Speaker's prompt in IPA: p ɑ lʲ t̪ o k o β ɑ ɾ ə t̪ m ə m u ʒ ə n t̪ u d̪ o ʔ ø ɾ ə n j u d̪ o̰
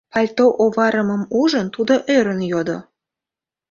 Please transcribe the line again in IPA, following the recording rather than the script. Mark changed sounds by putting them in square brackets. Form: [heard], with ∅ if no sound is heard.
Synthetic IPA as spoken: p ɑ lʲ t̪ o [ʔ] o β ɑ ɾ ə [∅] m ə m u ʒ ə n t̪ u d̪ o ʔ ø ɾ ə n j [o] d̪ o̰